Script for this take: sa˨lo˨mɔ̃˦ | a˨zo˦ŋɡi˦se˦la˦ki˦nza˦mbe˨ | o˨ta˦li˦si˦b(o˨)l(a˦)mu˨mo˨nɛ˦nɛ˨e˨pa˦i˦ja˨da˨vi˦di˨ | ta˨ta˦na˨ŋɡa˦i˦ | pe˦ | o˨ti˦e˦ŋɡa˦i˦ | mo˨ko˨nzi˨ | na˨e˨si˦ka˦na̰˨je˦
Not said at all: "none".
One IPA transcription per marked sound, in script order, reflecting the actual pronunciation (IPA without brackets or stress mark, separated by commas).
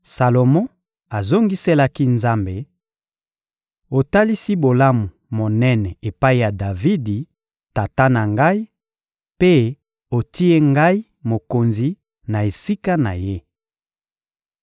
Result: o˨, a˦